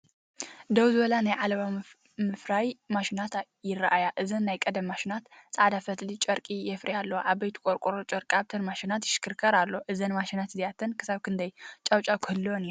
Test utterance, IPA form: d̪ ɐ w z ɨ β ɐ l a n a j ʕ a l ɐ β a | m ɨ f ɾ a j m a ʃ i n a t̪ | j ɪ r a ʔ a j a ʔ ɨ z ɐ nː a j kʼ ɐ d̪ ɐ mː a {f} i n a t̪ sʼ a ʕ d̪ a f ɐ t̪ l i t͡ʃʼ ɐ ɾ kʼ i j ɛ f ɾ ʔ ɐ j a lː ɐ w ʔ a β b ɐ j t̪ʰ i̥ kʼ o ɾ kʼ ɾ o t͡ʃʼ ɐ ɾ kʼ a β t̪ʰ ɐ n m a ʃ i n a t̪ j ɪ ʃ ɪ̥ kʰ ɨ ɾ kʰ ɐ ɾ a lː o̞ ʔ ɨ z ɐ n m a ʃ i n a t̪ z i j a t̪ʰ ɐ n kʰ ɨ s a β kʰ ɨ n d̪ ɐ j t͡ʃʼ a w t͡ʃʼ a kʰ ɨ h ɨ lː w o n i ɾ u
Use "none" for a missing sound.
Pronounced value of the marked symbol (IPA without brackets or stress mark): ʃ